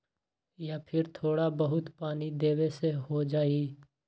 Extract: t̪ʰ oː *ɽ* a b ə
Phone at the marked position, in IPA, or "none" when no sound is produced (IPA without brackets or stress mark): ɽ